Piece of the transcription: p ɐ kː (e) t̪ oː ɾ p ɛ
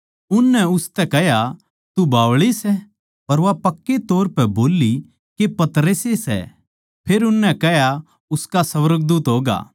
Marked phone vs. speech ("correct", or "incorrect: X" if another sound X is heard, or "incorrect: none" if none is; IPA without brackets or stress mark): correct